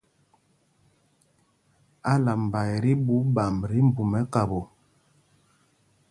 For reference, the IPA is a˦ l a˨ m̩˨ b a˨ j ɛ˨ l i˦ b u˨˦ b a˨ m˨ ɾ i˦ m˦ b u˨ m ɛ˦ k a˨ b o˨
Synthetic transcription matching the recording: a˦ l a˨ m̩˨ b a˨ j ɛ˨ ɾ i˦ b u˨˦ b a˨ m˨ ɾ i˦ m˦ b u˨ m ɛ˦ k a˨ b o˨